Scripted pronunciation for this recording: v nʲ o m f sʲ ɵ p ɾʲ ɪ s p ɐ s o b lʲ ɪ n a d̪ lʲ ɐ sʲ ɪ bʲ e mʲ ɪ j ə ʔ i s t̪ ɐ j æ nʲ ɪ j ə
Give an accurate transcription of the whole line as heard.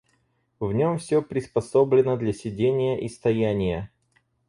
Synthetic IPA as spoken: v nʲ o m f sʲ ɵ p ɾʲ ɪ s p ɐ s o b lʲ ɪ n ə d̪ lʲ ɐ sʲ ɪ dʲ e nʲ ɪ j ə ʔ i s t̪ ɐ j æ nʲ ɪ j ə